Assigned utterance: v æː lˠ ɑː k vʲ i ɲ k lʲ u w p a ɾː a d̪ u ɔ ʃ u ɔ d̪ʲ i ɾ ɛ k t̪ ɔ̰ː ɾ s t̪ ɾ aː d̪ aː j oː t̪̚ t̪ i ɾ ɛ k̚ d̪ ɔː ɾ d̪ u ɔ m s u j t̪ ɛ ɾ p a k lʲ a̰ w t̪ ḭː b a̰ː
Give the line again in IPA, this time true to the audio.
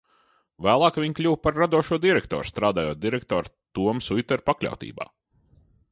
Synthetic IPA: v æː lˠ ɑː k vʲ i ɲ k lʲ u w p a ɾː a d̪ u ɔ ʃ u ɔ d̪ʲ i ɾ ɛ k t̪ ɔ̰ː ɾ s t̪ ɾ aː d̪ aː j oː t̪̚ d̪ i ɾ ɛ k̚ t̪ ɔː ɾ t̪ u ɔ m s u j t̪ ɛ ɾ p a k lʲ a̰ w t̪ ḭː b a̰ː

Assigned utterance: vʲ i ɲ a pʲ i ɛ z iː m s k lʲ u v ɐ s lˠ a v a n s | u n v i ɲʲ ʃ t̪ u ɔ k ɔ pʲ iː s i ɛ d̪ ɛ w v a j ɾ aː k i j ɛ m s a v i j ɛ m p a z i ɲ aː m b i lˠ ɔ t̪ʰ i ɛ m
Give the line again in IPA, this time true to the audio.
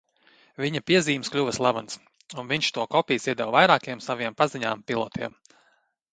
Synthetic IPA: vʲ i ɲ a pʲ i ɛ z iː m s k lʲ u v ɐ s lˠ a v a n s | u n v i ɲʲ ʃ t̪ u ɔ k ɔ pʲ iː s i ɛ d̪ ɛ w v a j ɾ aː k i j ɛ m s a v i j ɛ m p a z i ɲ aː m p i lˠ ɔ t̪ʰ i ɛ m

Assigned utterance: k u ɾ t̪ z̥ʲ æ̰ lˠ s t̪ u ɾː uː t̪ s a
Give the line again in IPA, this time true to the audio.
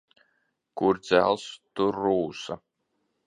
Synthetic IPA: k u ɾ d̪ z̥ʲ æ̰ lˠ s t̪ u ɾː uː s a

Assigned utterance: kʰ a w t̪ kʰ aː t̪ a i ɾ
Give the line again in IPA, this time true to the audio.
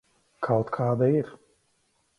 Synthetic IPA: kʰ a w t̪ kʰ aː d̪ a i ɾ

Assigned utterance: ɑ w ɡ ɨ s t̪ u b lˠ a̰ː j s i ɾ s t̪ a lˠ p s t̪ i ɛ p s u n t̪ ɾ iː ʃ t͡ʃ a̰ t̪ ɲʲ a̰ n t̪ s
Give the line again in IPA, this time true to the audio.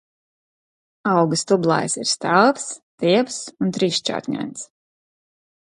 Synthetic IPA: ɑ w ɡ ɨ s t̪ u b lˠ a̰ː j s i ɾ s t̪ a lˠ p s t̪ i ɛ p s u n t̪ ɾ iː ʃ t͡ʃ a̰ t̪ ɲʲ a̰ n t̪ s

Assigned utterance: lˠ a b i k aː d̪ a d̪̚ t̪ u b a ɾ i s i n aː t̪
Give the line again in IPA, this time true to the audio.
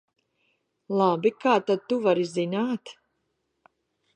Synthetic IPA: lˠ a b i k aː t̪ a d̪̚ t̪ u v a ɾ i z i n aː t̪

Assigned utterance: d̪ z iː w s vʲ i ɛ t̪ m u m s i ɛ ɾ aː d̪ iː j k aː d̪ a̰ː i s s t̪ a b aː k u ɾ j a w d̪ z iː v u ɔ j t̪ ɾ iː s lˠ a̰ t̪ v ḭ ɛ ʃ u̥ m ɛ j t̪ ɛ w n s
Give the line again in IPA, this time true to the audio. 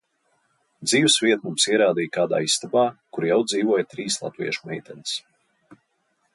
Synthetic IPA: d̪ z iː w s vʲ i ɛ t̪ m u m s i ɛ ɾ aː d̪ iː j k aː d̪ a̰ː i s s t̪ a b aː k u ɾ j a w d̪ z iː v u ɔ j t̪ ɾ iː s lˠ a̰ t̪ v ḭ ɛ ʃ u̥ m ɛ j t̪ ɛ n s

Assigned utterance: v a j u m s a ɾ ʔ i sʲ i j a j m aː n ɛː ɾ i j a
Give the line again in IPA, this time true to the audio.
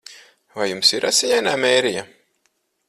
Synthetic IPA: v a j u m s i ɾ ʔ a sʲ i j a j n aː m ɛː ɾ i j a

